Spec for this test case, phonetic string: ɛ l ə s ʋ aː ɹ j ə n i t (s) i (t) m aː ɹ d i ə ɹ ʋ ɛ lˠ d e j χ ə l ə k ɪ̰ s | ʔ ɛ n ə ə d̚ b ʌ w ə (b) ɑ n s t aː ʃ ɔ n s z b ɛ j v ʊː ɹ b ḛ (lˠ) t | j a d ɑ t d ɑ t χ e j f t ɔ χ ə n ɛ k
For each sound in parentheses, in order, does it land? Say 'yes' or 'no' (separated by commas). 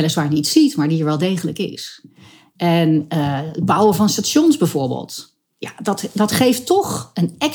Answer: yes, yes, no, yes